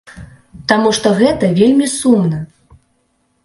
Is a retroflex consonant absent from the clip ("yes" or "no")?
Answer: no